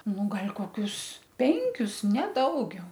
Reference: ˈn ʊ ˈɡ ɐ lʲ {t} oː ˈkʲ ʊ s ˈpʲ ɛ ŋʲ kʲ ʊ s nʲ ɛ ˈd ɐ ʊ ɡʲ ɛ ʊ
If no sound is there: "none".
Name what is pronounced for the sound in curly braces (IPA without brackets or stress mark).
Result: k